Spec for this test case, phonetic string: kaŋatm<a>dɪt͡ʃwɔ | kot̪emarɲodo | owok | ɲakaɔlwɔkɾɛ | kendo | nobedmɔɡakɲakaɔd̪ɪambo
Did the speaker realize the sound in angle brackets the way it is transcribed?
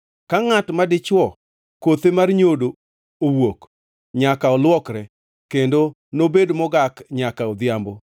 yes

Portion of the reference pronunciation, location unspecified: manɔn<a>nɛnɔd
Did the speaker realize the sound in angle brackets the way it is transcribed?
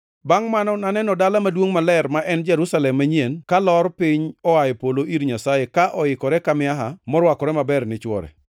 yes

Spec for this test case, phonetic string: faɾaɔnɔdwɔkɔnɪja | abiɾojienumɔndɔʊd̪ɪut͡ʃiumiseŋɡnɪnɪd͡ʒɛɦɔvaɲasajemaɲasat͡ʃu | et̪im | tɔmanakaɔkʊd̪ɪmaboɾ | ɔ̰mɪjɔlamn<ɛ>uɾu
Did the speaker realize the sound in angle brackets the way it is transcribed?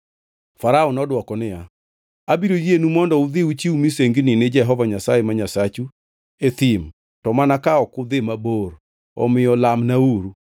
no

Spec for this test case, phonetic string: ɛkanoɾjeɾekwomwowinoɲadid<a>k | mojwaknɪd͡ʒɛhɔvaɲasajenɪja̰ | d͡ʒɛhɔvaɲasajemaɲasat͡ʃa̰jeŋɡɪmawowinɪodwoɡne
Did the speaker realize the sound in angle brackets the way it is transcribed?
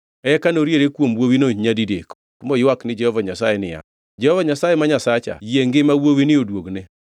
no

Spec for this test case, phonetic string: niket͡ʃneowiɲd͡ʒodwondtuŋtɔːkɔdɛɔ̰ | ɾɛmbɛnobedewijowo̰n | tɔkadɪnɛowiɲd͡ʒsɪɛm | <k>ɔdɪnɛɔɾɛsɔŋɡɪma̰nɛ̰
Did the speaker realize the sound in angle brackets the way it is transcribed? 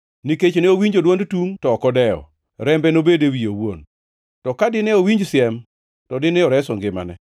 no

